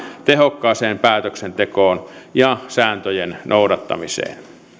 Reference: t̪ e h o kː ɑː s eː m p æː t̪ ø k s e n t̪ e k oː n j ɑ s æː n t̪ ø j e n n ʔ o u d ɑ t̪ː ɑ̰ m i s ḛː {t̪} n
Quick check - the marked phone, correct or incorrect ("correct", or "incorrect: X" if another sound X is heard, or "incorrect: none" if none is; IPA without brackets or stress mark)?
incorrect: none